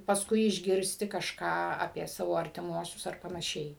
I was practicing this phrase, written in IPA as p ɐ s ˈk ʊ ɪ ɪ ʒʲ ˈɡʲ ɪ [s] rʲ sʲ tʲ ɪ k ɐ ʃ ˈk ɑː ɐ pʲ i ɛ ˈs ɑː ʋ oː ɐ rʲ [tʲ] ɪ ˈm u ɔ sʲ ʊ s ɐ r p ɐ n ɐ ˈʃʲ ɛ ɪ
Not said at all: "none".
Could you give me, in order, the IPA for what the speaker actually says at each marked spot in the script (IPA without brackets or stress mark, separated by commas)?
none, tʲ